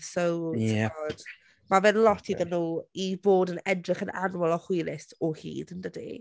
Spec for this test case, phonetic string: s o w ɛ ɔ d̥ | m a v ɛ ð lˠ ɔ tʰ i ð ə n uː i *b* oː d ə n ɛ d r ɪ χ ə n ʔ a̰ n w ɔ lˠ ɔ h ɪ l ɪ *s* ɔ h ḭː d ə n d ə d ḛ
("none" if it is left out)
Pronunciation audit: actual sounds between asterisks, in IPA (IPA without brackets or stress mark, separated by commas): b, s